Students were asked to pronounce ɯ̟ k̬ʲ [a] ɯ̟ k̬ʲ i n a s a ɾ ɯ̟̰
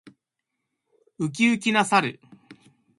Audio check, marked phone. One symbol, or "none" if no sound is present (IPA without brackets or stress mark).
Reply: i